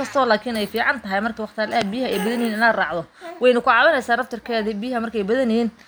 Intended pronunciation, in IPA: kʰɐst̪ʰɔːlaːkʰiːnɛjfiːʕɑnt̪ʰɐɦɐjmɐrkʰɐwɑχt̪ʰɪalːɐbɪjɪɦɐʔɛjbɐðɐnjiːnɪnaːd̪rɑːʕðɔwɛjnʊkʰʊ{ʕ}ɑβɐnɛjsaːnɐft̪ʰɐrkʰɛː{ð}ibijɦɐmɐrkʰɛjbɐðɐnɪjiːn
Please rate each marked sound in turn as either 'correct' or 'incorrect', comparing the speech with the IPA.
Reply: correct, correct

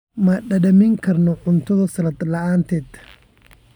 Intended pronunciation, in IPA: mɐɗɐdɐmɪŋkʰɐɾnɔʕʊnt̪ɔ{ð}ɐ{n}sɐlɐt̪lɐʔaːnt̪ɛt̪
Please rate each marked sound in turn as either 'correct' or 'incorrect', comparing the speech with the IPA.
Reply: correct, incorrect: none

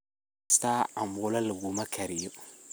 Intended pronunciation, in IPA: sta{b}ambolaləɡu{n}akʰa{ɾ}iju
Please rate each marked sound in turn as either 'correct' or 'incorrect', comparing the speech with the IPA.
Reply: incorrect: none, incorrect: m, correct

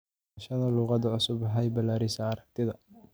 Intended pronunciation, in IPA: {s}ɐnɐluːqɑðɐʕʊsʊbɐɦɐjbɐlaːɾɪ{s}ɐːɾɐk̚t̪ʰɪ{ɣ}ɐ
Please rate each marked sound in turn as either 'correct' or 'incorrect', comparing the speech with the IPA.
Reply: incorrect: ʃ, correct, incorrect: ð

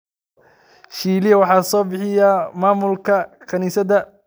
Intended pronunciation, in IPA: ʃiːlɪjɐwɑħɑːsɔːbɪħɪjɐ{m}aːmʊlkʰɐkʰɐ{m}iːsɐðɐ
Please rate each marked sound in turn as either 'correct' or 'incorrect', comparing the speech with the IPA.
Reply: correct, incorrect: n

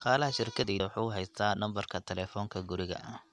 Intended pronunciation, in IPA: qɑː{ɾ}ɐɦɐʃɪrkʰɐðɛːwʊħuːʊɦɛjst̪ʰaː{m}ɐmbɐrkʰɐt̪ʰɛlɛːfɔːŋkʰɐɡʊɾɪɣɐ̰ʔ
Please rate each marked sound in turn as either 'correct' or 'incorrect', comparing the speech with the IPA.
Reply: incorrect: l, incorrect: n

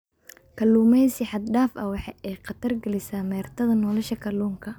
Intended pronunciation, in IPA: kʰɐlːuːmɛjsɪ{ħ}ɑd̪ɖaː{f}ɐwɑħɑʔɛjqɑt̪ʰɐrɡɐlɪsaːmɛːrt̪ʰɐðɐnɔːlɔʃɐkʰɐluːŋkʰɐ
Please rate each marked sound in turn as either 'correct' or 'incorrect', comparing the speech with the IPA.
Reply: correct, correct

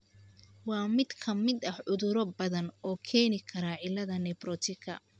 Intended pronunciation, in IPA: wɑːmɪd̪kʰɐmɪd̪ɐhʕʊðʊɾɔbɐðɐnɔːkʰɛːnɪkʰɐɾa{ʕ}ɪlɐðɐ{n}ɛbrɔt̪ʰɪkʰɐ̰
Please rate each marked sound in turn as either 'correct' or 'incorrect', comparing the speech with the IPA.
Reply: correct, correct

